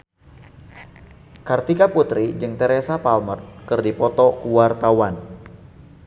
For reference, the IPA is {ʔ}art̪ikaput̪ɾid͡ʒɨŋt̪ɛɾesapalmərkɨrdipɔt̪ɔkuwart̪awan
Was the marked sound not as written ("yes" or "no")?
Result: yes